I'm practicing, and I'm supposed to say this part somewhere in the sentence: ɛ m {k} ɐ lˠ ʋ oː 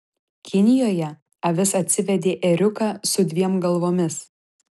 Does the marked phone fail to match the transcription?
yes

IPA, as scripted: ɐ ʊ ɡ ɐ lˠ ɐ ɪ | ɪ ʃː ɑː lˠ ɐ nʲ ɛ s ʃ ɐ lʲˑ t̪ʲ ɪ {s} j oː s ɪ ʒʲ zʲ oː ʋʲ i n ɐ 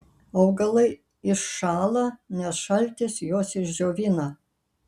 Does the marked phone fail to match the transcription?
no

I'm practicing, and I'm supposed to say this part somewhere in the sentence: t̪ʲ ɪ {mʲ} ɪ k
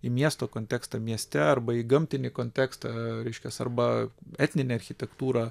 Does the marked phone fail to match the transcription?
yes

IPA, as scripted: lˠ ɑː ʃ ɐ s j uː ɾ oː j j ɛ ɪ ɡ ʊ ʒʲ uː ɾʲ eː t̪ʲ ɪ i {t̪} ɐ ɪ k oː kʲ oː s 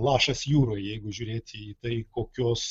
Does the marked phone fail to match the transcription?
no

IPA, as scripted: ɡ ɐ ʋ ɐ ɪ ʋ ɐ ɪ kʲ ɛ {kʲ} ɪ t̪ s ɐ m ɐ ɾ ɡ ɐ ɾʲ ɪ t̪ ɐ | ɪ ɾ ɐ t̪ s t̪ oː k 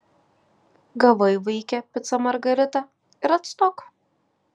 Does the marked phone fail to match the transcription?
yes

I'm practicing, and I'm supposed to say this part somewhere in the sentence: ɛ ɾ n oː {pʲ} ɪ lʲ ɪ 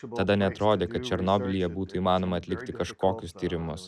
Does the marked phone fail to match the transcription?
yes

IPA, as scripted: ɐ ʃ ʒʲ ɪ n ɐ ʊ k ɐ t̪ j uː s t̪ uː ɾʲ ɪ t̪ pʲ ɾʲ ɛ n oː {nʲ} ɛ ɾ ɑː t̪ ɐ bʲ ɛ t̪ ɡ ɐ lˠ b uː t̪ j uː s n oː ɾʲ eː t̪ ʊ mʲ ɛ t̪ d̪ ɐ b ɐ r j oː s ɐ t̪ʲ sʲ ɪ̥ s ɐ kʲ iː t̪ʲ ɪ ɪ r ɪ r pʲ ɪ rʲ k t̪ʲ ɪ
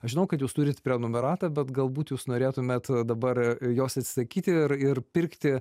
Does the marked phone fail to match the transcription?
yes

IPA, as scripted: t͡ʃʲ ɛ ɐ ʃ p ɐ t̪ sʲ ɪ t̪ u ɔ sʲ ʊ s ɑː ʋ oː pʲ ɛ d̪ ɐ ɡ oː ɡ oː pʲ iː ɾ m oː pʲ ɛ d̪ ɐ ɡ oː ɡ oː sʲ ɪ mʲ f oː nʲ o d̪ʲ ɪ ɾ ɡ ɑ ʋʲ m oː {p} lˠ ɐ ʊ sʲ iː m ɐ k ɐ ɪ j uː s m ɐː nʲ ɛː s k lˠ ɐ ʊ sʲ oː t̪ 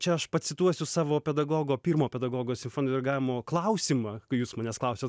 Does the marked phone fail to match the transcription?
yes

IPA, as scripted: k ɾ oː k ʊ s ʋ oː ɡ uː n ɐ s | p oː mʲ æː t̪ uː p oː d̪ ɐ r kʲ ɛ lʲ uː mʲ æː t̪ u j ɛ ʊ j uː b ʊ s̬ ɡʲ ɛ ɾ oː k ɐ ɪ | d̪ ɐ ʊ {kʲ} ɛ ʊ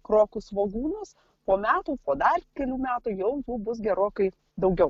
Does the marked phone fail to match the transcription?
yes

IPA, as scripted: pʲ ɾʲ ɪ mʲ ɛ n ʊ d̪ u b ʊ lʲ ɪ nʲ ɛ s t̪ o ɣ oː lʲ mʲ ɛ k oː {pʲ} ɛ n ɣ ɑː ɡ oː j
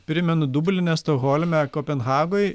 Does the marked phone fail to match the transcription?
no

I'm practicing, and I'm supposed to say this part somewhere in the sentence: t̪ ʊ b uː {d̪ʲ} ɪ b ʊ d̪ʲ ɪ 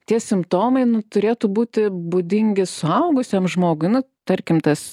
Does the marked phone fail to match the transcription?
yes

